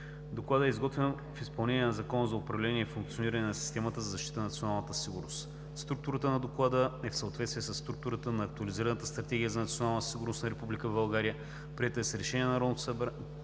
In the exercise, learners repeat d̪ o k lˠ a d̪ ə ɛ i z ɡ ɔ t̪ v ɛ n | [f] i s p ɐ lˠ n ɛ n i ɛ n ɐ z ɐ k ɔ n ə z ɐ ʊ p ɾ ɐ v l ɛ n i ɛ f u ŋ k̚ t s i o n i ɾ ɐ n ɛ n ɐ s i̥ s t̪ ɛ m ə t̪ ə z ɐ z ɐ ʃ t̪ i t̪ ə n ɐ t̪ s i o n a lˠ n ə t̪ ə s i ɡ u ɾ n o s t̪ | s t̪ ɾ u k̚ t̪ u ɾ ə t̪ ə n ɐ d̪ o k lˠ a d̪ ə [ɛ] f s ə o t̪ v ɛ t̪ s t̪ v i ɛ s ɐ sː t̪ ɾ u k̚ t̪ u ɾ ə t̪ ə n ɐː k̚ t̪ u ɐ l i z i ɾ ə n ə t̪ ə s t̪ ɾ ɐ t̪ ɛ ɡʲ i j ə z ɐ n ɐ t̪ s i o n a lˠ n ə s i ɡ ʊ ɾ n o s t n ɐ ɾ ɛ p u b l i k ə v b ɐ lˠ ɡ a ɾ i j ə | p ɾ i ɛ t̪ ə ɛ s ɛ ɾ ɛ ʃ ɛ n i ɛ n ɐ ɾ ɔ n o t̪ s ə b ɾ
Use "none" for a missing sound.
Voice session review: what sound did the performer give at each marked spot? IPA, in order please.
f, ɛ

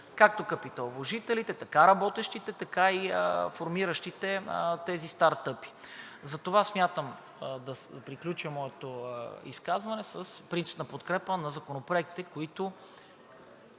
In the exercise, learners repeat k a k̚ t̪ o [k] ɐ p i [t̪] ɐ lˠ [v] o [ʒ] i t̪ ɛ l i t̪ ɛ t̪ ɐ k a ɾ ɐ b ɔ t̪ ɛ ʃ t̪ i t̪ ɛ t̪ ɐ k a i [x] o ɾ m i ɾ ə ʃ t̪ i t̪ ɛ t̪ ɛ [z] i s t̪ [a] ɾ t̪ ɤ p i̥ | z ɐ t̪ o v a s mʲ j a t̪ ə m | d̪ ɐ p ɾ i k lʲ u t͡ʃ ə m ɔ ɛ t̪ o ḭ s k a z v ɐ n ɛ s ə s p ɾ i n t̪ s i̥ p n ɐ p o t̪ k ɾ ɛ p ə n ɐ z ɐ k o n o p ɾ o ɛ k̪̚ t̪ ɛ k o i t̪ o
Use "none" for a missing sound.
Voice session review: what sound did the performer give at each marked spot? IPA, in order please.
k, t̪, v, ʒ, f, z, a

